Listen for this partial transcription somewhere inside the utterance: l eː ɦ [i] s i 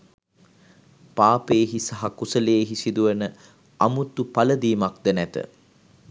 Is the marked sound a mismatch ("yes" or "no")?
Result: no